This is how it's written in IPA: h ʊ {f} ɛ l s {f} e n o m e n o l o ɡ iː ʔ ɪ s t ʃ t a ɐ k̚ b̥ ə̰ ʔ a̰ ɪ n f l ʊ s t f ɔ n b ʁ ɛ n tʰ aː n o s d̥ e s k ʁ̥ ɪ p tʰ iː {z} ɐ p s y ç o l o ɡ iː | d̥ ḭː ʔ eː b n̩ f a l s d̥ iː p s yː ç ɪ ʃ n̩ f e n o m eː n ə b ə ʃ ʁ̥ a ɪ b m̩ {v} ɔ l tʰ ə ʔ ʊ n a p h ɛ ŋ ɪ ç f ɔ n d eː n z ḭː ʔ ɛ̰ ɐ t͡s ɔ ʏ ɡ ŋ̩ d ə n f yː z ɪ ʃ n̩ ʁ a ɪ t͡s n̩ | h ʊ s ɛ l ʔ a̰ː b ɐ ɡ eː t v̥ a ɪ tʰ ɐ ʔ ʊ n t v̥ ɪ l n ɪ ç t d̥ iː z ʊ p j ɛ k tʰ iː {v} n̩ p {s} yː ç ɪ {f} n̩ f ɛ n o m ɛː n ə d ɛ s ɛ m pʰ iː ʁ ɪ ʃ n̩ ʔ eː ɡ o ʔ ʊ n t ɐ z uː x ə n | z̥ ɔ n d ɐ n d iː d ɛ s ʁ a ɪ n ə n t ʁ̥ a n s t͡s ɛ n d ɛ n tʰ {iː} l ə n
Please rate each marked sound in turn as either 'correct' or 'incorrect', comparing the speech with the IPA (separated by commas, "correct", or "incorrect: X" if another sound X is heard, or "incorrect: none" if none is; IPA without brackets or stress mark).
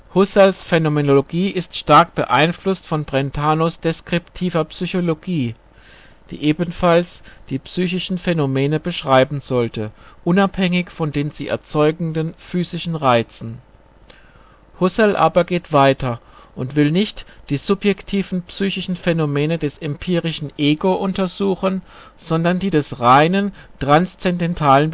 incorrect: s, correct, incorrect: v, incorrect: z, correct, correct, incorrect: ʃ, incorrect: aː